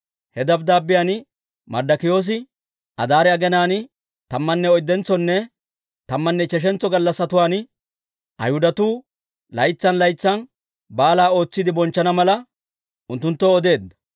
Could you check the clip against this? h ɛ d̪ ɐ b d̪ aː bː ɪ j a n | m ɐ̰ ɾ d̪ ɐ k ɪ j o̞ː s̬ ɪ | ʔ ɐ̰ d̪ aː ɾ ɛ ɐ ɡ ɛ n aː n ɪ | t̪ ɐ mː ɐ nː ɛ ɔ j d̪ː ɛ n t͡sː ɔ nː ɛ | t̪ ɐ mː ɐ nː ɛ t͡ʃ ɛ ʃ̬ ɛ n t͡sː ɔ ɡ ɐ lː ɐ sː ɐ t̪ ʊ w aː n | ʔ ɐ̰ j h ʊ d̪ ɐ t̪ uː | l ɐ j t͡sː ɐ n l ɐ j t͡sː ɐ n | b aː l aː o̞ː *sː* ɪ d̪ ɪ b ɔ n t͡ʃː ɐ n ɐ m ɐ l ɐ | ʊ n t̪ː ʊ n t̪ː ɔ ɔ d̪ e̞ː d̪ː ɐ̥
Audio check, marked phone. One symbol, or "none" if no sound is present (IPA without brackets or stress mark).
t͡sː